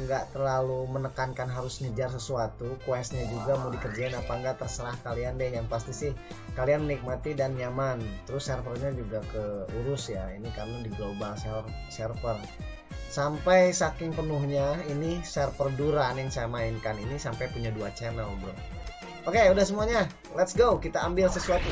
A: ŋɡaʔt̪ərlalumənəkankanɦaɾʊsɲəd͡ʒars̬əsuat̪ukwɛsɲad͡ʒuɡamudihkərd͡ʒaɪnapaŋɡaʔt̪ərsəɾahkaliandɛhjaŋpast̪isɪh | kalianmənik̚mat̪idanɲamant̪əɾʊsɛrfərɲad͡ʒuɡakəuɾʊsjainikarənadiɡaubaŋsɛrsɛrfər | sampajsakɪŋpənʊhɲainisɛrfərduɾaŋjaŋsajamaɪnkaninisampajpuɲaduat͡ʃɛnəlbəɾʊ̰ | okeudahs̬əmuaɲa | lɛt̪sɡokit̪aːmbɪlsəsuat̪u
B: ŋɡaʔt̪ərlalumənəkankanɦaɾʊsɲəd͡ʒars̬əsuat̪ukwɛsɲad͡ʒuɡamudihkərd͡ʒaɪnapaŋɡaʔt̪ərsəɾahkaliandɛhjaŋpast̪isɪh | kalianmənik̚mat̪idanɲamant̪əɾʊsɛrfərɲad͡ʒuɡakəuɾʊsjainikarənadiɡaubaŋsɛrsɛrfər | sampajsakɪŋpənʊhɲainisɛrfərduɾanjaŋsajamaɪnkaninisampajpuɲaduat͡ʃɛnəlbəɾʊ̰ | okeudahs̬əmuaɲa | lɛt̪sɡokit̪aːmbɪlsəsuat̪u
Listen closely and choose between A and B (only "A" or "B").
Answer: B